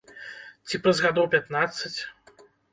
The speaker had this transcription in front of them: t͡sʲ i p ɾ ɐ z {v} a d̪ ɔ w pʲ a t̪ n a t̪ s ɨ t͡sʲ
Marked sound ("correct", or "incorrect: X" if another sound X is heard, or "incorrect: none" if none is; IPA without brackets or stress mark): incorrect: ɣ